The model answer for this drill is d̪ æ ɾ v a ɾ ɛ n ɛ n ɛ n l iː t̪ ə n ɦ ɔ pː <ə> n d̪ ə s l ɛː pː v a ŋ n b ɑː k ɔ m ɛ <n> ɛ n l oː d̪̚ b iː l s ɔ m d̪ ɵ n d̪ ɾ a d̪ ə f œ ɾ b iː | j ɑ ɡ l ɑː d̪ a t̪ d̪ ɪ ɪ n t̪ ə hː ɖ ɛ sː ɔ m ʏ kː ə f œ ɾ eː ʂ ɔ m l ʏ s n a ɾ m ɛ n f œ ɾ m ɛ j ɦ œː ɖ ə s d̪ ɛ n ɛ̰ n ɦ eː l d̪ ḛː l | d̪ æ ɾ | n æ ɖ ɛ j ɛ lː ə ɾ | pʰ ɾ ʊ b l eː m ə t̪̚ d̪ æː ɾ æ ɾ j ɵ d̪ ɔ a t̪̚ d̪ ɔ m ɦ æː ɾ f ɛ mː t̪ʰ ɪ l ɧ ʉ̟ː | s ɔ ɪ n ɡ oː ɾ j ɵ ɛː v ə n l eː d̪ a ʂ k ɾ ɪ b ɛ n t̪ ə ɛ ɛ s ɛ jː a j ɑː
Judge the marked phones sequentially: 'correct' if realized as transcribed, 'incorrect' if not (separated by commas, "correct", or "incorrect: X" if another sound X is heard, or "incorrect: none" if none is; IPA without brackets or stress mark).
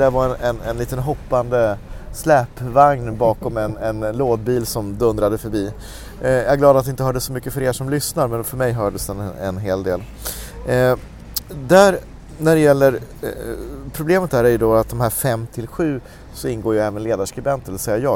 incorrect: a, correct